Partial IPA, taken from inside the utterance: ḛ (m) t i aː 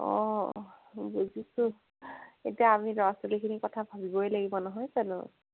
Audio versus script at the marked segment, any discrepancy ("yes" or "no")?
yes